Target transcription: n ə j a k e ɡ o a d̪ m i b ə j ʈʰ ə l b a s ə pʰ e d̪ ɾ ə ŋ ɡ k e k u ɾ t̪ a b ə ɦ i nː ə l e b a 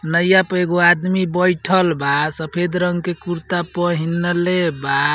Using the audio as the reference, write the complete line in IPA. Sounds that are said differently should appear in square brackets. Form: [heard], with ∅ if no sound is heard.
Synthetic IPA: n ə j a [p] e ɡ o a d̪ m i b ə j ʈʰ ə l b a s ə pʰ e d̪ ɾ ə ŋ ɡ k e k u ɾ t̪ a [p] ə ɦ i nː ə l e b a